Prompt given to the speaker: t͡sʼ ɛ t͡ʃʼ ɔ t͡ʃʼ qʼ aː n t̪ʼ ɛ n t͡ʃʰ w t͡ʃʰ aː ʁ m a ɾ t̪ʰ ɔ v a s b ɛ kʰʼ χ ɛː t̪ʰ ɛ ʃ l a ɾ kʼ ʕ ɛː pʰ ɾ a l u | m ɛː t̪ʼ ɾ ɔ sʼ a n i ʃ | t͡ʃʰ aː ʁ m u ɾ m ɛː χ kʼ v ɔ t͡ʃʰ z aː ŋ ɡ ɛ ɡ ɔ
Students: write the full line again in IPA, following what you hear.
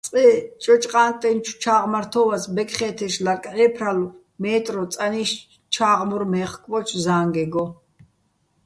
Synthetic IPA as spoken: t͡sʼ ɛ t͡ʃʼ ɔ t͡ʃʼ qʼ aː n t̪ʼ ɛ n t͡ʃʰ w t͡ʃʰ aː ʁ m a ɾ t̪ʰ ɔ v a s b ɛ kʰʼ χ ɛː t̪ʰ ɛ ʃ l a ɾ kʼ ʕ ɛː pʰ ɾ a l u | m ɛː t̪ʼ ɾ ɔ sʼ a n i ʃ | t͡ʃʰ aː ʁ m u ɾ m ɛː χ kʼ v ɔ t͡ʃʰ z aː ŋ ɡ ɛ ɡ ɔ